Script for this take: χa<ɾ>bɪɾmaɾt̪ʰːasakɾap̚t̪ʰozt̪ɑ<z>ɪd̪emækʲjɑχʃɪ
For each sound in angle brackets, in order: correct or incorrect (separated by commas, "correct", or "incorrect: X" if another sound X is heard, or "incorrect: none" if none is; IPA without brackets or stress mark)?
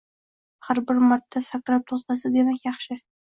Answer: correct, incorrect: s